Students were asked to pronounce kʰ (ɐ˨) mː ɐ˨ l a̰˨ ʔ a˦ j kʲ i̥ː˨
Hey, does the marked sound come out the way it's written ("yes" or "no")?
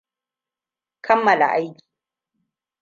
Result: no